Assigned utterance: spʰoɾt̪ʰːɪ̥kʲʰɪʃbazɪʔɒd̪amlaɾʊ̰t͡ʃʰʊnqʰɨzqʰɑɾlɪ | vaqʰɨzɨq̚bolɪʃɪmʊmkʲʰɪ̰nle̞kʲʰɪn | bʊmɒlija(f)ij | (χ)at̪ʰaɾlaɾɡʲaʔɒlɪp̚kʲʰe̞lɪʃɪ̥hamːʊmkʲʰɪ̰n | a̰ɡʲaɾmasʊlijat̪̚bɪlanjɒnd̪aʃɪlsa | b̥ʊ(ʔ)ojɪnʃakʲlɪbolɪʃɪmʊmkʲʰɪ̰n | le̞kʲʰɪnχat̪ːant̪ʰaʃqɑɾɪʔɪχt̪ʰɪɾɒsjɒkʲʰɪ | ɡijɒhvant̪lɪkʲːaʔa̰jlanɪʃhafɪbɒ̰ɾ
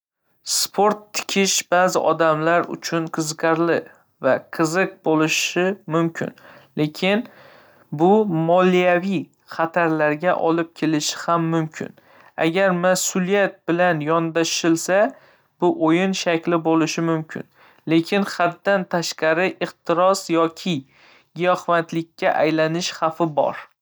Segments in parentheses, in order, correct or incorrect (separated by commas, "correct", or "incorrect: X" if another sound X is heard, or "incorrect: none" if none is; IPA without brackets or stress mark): incorrect: v, correct, correct